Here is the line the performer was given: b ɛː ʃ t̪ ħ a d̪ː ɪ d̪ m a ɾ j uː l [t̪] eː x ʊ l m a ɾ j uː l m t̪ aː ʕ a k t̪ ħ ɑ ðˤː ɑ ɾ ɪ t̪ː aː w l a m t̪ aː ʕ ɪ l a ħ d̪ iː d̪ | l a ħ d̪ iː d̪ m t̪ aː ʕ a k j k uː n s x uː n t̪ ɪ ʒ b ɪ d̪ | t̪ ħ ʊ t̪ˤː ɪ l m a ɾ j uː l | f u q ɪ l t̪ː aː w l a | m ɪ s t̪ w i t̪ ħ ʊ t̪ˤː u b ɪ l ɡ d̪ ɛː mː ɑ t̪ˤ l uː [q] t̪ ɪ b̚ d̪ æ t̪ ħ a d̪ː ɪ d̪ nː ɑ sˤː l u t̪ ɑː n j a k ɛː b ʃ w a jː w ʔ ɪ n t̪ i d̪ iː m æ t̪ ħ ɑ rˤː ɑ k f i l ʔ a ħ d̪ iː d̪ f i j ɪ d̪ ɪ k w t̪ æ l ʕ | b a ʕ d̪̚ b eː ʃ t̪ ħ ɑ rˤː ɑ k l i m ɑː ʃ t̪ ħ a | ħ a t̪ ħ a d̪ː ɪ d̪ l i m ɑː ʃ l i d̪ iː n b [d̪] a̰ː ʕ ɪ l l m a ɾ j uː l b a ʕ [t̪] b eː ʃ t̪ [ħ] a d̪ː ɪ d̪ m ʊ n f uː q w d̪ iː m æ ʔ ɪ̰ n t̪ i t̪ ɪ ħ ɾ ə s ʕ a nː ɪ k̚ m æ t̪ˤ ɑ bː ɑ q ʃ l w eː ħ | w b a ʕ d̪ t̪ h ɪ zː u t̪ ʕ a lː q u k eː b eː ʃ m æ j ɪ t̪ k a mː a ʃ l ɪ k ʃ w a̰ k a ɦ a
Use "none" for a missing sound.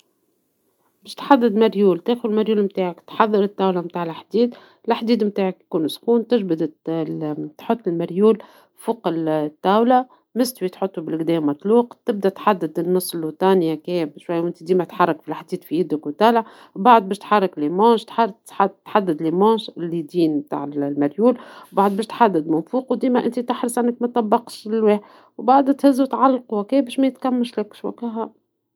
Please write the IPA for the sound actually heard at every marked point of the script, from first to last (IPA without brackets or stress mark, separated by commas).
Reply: t̪, q, t̪, d̪, ħ